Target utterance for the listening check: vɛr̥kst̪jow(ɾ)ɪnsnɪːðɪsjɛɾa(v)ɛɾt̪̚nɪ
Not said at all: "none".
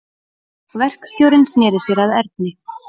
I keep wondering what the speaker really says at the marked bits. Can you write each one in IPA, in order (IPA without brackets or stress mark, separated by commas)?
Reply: ɾ, ð